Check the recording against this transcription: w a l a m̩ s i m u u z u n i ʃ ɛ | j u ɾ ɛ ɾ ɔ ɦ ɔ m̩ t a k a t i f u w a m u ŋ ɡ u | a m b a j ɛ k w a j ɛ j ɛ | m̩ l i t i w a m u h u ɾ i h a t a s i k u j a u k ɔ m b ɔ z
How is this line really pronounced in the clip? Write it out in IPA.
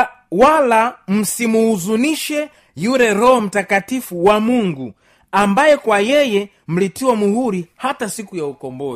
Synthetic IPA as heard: w a l a m̩ s i m u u z u n i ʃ ɛ | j u ɾ ɛ ɾ ɔ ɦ ɔ m̩ t a k a t i f u w a m u ŋ ɡ u | a m b a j ɛ k w a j ɛ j ɛ | m̩ l i t i w a m u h u ɾ i h a t a s i k u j a u k ɔ m b ɔ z